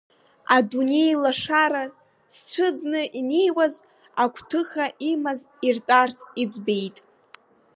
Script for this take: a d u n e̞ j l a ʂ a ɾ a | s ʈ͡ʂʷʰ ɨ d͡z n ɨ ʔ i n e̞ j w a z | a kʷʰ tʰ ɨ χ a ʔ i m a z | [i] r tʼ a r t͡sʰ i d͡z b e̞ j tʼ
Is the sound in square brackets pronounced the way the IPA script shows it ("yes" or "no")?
yes